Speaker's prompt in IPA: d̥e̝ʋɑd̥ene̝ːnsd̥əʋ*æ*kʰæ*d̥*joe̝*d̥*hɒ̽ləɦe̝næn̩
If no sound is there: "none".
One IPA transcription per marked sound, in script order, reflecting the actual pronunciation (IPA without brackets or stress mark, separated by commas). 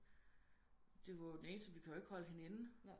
i, none, ɡ̥